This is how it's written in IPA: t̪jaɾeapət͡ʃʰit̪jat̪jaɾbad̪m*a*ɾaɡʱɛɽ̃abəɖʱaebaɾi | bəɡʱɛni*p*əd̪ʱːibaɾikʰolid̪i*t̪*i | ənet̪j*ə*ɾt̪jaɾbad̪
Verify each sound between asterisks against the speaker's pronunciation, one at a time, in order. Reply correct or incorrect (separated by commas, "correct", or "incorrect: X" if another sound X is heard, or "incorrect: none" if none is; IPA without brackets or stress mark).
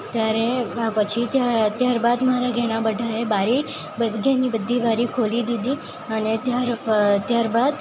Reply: correct, incorrect: b, incorrect: d̪, incorrect: a